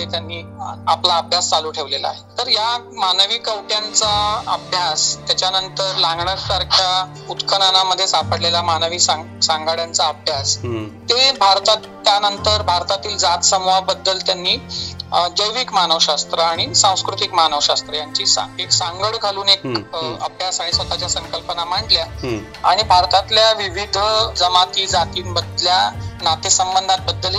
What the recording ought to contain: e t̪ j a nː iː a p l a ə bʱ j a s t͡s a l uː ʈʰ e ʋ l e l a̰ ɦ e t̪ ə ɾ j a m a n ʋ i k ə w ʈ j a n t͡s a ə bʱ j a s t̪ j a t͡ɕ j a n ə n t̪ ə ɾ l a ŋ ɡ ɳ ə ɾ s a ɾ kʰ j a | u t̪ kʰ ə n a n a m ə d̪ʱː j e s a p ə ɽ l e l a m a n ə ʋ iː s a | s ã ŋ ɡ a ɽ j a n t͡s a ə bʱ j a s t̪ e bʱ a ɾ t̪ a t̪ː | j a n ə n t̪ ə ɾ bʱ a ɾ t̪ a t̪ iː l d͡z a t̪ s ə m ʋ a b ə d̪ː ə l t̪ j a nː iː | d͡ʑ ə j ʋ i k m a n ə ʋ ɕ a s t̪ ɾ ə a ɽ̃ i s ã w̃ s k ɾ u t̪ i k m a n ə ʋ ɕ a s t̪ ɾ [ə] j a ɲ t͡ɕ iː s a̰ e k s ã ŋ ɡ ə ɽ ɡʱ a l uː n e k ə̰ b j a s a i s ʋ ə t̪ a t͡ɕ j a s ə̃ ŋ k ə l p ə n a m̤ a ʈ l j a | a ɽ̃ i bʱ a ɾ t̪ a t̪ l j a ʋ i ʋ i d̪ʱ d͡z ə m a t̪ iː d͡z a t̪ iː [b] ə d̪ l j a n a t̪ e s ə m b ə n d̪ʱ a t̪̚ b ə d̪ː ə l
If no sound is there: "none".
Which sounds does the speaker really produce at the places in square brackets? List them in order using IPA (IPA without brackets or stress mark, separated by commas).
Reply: ə, b